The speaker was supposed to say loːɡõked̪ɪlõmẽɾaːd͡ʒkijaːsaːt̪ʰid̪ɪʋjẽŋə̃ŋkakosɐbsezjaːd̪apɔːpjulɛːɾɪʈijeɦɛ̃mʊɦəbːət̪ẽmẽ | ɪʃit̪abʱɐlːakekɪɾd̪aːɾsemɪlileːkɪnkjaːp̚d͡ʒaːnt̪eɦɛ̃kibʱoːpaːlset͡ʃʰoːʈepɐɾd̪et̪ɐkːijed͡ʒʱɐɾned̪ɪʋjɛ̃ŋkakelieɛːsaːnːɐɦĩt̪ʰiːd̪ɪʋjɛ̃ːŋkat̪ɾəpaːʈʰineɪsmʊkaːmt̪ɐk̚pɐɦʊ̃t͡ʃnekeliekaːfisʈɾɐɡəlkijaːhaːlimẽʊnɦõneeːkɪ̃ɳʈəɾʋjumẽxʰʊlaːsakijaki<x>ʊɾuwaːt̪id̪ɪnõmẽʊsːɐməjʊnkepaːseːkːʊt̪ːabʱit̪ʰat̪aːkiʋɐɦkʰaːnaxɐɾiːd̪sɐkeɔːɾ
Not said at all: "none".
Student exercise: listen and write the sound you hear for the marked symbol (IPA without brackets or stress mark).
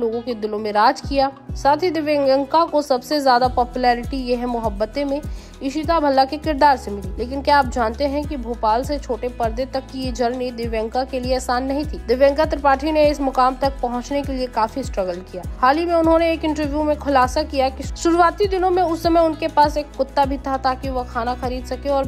ʃ